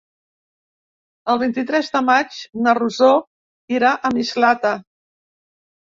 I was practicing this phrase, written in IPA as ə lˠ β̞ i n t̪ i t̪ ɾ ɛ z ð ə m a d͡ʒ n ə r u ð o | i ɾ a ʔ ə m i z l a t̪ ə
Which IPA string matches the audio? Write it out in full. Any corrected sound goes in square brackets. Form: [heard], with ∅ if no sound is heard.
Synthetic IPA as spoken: ə lˠ β̞ i n t̪ i t̪ ɾ ɛ z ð ə m a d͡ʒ n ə r u [z] o | i ɾ a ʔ ə m i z l a t̪ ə